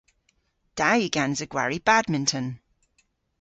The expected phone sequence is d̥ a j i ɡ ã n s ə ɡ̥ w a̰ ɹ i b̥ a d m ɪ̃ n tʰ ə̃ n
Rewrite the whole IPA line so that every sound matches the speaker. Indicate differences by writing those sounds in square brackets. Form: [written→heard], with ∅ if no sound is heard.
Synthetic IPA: d̥ a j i ɡ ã n [s→z] ə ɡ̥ w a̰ ɹ i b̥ a d m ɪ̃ n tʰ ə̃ n